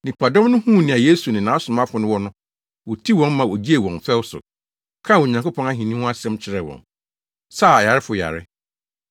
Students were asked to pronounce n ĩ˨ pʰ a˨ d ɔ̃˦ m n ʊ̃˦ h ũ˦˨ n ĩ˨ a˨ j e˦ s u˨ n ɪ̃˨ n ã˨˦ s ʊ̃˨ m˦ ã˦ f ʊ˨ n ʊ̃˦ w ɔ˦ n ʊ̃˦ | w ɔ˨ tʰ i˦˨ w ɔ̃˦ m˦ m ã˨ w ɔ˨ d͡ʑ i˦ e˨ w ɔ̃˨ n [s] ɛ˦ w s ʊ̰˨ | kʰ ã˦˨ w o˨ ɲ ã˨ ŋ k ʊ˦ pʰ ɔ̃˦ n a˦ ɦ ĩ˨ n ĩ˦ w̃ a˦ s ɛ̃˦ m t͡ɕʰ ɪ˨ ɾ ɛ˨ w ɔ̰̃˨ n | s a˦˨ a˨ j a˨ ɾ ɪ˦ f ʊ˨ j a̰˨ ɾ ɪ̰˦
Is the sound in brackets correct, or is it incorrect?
incorrect: f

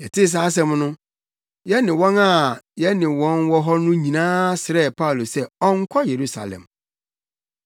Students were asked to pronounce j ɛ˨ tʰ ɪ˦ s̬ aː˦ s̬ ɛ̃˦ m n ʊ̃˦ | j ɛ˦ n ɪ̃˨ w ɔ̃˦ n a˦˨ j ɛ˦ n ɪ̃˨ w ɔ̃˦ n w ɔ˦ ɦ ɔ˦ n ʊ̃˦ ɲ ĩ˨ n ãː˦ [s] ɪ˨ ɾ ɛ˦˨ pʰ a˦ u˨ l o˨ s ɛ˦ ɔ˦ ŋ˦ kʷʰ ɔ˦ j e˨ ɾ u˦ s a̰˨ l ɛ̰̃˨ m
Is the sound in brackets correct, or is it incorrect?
correct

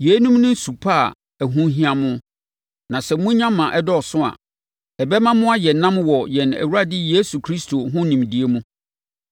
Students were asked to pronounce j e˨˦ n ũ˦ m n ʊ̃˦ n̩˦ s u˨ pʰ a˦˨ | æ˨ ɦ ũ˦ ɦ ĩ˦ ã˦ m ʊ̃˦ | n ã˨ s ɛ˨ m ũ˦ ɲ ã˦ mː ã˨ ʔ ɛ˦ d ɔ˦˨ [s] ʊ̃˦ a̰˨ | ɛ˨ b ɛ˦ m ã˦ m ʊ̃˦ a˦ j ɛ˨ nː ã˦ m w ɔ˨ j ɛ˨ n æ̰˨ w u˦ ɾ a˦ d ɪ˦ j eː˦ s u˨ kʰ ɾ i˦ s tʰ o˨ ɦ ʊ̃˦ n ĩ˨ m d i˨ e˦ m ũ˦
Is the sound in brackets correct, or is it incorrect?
correct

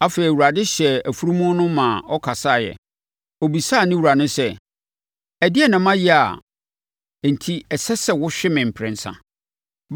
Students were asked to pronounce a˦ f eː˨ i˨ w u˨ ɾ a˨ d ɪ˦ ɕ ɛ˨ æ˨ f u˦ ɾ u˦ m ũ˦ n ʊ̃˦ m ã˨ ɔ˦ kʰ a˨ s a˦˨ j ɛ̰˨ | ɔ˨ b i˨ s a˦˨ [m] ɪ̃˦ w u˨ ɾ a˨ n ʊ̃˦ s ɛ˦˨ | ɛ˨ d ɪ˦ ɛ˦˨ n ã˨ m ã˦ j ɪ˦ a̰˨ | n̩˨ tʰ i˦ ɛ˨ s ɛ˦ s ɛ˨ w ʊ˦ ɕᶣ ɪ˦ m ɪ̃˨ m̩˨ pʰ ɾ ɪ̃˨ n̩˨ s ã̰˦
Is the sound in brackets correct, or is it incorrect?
incorrect: n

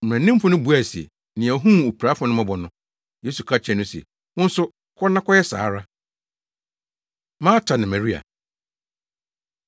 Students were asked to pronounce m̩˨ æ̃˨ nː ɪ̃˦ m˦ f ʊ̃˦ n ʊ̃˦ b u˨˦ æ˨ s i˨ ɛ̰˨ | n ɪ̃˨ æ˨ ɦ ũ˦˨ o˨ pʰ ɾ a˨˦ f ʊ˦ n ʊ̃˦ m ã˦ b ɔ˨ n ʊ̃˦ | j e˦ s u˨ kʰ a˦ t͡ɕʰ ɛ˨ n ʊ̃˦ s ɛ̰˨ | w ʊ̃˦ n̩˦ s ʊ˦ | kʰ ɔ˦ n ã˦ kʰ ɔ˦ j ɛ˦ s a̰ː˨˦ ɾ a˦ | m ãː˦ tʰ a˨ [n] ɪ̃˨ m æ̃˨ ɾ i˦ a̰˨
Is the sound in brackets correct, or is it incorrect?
correct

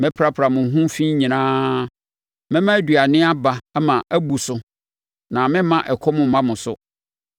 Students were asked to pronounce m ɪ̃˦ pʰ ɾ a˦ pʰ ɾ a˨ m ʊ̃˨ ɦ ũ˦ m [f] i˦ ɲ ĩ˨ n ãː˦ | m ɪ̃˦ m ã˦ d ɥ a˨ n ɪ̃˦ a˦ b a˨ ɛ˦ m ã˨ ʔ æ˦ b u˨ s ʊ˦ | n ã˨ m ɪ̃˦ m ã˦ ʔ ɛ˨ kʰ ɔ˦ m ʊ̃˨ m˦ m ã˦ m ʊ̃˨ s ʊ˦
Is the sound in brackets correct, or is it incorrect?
correct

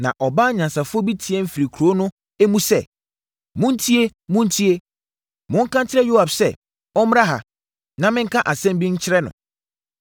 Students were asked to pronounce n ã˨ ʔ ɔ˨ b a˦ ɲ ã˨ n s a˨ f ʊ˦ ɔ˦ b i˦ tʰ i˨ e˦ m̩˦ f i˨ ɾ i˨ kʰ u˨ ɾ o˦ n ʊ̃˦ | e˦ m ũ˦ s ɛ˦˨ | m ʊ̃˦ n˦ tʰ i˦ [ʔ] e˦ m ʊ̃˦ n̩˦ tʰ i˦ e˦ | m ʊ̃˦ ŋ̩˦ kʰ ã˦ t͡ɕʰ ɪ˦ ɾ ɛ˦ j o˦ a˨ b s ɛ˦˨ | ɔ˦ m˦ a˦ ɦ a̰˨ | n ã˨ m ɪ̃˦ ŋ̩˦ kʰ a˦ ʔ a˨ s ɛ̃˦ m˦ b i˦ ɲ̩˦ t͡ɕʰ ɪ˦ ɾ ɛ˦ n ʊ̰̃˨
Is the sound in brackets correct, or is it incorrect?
incorrect: none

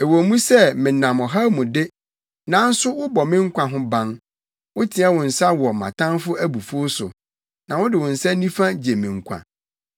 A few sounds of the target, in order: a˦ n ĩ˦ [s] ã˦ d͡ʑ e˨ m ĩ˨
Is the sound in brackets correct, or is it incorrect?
incorrect: f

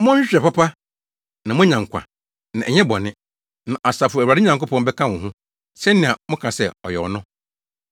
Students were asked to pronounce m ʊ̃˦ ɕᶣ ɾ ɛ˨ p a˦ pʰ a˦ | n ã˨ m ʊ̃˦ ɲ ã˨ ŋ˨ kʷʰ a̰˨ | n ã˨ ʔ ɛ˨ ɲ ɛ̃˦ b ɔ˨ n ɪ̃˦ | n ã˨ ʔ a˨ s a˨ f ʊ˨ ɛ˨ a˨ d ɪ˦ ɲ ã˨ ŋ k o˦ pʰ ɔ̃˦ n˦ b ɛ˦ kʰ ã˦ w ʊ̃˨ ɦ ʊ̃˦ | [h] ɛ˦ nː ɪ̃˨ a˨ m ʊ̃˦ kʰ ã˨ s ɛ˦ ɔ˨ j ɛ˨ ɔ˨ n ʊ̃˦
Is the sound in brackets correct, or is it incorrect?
incorrect: s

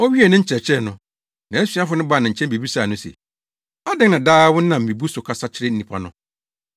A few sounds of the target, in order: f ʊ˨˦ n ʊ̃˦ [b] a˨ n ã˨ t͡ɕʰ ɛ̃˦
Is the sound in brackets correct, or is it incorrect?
correct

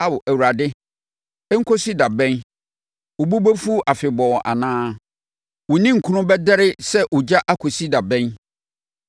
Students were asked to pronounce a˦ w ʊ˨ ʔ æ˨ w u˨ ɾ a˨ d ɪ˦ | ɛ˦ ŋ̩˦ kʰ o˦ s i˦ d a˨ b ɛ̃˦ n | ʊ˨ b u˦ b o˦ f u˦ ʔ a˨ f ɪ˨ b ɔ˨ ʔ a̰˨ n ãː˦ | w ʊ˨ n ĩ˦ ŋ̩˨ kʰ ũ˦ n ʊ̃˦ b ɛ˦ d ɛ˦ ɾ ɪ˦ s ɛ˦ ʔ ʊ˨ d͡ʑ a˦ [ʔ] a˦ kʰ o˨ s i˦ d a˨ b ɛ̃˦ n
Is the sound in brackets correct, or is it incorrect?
correct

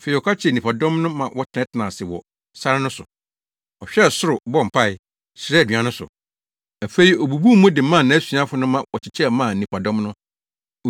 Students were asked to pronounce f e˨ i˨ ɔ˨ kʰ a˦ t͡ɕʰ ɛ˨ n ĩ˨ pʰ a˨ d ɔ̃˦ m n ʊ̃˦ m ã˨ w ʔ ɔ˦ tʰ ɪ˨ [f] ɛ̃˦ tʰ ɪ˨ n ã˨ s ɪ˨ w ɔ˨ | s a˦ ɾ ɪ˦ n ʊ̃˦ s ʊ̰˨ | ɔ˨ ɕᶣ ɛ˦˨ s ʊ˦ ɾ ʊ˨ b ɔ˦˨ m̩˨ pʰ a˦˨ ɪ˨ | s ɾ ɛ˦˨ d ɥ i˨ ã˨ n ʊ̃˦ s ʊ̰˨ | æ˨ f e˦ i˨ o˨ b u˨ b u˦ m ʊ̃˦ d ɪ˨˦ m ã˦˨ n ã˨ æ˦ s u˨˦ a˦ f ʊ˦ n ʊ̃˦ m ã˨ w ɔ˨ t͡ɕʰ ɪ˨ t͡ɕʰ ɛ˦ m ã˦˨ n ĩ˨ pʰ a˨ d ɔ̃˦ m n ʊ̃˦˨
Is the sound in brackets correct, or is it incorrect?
incorrect: none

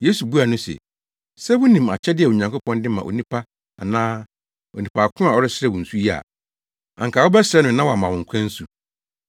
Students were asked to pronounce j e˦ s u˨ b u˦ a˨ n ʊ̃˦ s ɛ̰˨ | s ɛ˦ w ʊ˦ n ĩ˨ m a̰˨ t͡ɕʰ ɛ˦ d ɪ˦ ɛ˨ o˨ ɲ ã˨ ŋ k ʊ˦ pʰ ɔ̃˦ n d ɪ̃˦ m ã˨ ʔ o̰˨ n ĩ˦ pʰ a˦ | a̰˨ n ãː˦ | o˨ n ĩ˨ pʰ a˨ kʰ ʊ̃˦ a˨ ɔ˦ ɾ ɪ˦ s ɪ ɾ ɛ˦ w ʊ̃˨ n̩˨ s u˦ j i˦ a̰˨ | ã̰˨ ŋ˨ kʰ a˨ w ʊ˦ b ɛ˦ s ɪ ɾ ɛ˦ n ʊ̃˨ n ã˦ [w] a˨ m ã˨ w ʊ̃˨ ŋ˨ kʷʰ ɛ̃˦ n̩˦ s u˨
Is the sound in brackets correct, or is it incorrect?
correct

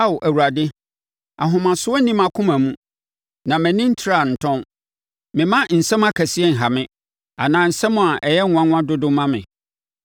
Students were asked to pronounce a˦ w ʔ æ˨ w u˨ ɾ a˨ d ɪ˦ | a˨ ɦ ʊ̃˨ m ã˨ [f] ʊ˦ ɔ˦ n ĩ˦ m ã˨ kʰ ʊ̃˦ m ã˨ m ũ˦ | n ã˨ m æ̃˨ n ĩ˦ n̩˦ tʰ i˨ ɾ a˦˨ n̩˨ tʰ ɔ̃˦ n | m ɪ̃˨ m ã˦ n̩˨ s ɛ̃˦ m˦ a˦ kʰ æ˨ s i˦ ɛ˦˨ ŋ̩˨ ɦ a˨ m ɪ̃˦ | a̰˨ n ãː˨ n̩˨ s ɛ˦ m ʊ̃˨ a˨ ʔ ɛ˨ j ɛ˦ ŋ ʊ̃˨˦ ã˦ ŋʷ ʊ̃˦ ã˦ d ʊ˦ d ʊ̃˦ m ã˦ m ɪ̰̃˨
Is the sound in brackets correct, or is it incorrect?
incorrect: s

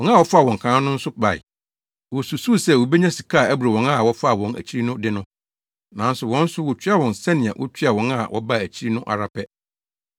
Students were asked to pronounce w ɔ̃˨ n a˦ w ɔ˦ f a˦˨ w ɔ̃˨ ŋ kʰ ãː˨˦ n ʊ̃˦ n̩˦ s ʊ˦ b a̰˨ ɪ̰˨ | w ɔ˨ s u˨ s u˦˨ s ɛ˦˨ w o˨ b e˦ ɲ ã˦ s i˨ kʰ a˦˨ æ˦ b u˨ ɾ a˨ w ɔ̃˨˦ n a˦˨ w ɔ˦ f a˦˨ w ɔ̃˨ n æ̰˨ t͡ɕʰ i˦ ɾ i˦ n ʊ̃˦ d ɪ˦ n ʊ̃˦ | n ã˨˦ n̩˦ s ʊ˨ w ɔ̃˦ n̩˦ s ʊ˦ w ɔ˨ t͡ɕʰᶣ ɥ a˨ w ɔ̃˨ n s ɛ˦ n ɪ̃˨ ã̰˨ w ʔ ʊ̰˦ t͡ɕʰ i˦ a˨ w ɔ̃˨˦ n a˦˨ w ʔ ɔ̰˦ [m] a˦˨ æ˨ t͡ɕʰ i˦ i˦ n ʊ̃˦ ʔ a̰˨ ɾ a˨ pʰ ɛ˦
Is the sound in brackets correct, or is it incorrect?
incorrect: b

